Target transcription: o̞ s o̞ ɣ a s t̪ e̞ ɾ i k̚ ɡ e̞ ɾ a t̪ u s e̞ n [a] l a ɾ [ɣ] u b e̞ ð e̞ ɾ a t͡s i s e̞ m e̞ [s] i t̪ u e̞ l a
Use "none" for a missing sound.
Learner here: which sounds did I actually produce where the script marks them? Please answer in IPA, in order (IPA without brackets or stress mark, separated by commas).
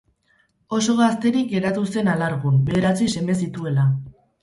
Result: a, ɣ, s